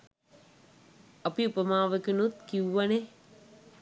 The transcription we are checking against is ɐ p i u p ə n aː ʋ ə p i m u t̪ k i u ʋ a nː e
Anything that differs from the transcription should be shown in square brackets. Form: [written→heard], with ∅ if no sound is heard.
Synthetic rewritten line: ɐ p i u p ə [n→m] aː ʋ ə [p→k] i [m→n] u t̪ k i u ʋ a [nː→n] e